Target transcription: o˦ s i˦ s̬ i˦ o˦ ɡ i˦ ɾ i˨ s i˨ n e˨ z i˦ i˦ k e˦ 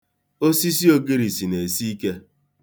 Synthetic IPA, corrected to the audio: o˦ s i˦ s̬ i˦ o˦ ɡ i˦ ɾ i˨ s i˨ n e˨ s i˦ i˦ k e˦